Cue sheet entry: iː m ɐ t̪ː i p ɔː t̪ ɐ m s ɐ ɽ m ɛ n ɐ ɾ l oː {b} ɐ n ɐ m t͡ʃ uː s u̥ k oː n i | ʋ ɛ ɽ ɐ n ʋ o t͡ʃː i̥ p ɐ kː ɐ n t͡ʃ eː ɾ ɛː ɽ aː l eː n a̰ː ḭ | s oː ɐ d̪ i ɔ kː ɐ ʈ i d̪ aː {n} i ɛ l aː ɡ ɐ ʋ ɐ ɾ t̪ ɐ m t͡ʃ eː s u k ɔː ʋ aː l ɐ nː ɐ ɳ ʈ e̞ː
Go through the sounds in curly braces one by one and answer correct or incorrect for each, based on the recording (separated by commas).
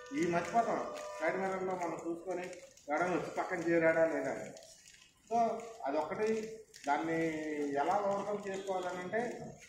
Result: incorrect, incorrect